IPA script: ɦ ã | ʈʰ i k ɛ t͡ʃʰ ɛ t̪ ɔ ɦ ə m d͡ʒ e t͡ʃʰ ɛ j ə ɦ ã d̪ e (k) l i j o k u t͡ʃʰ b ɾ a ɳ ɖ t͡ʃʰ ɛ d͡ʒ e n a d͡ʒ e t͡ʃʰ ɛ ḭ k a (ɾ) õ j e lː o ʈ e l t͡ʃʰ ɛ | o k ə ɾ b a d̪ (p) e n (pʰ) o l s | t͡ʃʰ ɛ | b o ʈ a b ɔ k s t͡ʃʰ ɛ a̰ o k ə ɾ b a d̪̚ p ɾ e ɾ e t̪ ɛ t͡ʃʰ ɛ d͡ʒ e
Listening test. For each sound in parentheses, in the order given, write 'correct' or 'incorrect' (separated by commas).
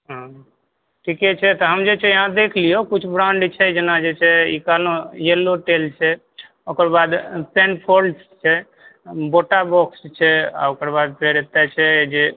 incorrect, incorrect, correct, correct